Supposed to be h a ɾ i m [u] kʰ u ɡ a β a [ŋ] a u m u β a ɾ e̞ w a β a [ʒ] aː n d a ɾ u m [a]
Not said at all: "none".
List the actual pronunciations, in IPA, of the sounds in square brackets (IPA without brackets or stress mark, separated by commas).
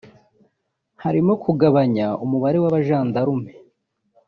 o, ɲ, ʒ, e